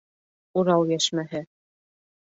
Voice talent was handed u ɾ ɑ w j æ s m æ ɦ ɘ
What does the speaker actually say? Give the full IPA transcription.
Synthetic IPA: u ɾ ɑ w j æ ʃ m æ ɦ ɘ